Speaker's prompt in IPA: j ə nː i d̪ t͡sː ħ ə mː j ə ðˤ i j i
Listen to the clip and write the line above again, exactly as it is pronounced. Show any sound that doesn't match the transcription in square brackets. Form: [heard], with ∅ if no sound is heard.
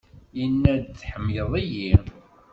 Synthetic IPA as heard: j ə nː [æ] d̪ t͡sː ħ ə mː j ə ðˤ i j i